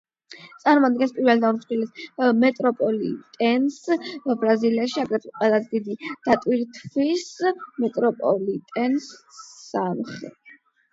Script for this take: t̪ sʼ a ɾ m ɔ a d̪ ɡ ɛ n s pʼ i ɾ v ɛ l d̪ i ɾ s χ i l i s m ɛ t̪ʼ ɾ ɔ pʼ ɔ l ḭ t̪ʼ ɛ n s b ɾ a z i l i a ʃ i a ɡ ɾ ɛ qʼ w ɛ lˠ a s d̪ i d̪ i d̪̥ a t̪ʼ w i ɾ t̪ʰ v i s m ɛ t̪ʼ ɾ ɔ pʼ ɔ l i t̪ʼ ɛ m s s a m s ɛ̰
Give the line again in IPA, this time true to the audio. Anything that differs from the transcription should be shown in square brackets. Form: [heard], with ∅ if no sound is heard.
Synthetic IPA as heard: t̪ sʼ a ɾ m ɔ a d̪ ɡ ɛ n s pʼ i ɾ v ɛ l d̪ [a] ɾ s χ i l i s m ɛ t̪ʼ ɾ ɔ pʼ ɔ l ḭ t̪ʼ ɛ n s b ɾ a z i l i a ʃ i a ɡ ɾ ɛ qʼ w ɛ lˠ a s d̪ i d̪ i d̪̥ a t̪ʼ w i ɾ t̪ʰ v i s m ɛ t̪ʼ ɾ ɔ pʼ ɔ l i t̪ʼ ɛ [n] s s a m [χ] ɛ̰